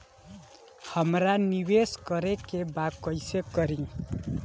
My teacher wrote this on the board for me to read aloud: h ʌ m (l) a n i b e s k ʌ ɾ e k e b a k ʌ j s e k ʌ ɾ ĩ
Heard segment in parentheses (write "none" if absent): ɾ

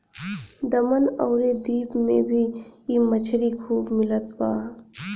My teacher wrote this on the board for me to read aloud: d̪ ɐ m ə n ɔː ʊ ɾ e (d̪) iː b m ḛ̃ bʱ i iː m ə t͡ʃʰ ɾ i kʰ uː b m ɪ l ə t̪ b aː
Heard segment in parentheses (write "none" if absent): d̪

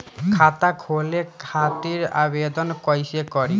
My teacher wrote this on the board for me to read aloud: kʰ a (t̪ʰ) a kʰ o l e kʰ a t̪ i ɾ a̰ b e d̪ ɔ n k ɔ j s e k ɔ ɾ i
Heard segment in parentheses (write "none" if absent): t̪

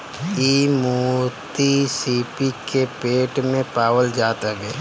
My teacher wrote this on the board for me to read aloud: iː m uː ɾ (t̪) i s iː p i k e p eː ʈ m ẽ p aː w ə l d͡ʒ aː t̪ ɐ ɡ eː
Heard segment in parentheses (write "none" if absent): t̪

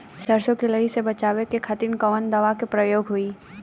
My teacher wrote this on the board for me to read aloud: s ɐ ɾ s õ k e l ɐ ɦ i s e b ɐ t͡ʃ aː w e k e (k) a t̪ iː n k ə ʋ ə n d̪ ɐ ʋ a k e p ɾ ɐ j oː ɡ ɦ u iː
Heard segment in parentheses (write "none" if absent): kʰ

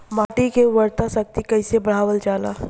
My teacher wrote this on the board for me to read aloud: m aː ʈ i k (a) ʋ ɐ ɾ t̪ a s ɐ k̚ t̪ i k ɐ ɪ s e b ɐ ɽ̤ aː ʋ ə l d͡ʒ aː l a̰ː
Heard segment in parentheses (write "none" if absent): e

